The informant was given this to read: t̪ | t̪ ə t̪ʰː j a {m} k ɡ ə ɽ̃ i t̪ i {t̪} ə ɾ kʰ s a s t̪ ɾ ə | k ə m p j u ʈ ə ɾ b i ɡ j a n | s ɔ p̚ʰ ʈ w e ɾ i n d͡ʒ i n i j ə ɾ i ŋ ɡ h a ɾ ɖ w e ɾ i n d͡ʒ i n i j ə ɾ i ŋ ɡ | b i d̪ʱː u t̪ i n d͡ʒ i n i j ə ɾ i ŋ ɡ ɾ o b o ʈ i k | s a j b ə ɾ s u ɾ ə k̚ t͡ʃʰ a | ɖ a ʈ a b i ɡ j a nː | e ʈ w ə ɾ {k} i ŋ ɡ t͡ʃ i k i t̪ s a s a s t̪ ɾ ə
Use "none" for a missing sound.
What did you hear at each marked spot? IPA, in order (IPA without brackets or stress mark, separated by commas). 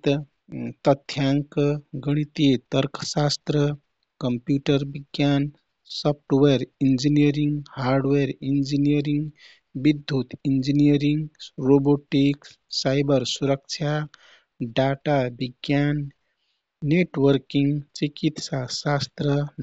ŋ, t̪, k